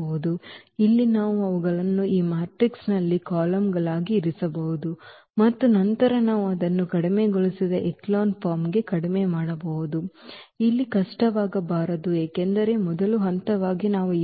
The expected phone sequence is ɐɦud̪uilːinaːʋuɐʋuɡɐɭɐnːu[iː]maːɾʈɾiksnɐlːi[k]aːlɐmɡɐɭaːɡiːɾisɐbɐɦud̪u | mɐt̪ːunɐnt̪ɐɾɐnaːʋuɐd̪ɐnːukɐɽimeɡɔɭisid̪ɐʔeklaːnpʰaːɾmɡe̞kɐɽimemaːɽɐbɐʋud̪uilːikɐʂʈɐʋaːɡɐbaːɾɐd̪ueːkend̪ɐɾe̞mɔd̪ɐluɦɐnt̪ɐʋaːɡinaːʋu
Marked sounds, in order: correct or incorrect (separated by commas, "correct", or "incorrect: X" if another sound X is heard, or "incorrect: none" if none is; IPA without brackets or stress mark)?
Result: correct, correct